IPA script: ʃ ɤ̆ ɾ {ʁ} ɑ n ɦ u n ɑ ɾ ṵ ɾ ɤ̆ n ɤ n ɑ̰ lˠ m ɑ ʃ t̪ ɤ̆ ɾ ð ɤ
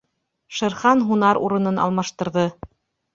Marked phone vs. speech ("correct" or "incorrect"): incorrect